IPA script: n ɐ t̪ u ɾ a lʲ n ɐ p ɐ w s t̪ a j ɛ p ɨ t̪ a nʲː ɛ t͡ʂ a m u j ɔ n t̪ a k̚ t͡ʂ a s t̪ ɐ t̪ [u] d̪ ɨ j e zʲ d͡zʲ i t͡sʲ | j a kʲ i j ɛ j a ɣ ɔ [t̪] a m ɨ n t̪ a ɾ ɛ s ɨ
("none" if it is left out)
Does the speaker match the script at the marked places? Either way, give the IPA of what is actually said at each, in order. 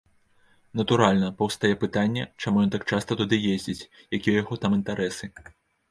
u, t̪

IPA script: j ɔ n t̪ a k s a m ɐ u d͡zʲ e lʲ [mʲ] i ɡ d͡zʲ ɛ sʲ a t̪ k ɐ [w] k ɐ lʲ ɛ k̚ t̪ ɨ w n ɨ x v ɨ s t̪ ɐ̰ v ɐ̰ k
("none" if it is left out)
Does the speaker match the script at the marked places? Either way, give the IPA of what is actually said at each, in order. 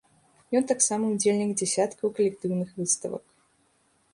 nʲ, w

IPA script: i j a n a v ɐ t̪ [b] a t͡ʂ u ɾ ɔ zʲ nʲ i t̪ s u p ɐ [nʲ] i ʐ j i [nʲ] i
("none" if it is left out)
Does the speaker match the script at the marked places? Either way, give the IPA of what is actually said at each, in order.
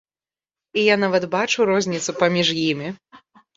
b, mʲ, mʲ

